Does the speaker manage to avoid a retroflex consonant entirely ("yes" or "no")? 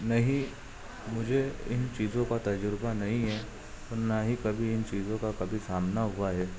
yes